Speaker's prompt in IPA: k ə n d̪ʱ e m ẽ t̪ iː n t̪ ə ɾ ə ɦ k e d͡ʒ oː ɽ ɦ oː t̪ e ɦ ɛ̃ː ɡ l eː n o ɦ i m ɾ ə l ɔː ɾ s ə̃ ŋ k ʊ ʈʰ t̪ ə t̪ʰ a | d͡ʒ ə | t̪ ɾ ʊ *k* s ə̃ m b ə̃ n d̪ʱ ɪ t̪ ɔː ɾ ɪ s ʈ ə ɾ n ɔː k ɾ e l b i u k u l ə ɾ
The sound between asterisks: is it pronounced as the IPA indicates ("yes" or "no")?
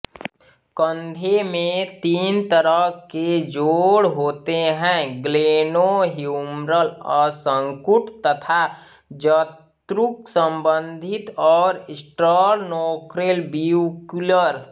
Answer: yes